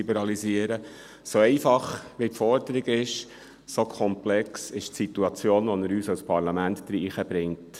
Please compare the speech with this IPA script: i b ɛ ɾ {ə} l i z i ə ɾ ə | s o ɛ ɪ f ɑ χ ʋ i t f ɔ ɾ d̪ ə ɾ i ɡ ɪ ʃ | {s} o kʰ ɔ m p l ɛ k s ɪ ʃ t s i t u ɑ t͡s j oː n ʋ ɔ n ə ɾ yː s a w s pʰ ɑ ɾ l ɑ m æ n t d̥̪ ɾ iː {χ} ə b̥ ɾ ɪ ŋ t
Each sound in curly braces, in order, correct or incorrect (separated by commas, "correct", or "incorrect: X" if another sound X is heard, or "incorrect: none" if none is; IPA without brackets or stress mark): incorrect: ɑ, correct, correct